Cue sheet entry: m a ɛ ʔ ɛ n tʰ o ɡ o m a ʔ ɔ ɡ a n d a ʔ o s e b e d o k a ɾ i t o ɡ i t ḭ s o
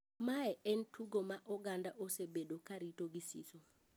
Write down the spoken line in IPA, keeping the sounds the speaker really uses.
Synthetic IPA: m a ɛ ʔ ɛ n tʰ u ɡ o m a ʔ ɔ ɡ a n d a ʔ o s e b e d o k a ɾ i t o ɡ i s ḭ s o